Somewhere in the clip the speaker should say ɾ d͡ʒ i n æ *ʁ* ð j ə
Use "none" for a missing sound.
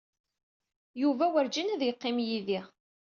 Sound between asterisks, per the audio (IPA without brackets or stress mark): none